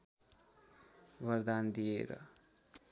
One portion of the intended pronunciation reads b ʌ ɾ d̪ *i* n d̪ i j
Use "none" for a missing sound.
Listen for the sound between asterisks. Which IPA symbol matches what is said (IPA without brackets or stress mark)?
a